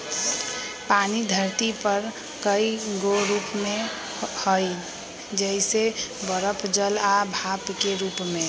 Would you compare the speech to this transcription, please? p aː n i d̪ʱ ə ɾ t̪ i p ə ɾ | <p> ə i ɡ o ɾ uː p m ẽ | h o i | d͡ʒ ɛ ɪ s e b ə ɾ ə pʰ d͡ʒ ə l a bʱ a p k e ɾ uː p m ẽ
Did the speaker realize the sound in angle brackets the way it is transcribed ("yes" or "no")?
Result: no